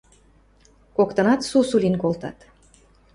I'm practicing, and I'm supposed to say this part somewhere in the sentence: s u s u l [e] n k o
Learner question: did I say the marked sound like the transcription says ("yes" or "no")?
no